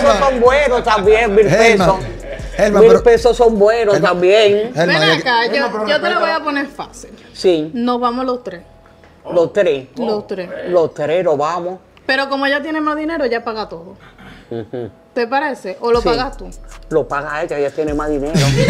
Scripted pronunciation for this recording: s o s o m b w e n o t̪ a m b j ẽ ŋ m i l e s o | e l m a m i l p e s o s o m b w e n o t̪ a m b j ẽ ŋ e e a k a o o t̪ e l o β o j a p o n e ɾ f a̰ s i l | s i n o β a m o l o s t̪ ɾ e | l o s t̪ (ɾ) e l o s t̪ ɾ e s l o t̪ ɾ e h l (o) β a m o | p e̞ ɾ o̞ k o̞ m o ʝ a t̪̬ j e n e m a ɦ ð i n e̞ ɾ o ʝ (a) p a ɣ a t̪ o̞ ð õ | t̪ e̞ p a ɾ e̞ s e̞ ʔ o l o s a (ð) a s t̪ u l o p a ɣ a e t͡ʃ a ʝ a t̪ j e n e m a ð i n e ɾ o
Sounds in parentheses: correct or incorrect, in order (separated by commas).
correct, correct, correct, incorrect